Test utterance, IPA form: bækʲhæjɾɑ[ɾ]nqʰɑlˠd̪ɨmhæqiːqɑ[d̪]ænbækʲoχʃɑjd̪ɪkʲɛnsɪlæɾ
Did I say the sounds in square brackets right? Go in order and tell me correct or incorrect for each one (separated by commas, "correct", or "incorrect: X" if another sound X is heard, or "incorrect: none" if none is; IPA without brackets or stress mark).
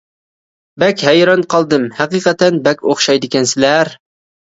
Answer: incorrect: none, incorrect: t̪